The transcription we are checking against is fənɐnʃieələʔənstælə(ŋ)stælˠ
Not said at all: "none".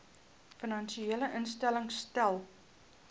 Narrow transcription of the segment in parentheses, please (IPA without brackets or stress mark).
ŋ